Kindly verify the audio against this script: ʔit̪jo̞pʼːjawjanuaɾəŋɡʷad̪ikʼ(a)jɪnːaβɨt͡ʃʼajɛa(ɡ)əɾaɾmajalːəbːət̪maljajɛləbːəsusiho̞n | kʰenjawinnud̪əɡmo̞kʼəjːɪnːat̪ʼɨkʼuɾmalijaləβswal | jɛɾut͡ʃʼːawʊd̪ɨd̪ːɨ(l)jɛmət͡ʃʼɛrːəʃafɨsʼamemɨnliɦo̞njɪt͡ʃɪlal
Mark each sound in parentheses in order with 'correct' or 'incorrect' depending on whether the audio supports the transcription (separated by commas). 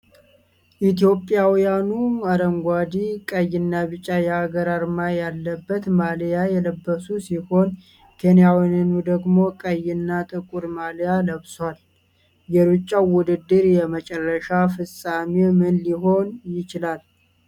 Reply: incorrect, correct, incorrect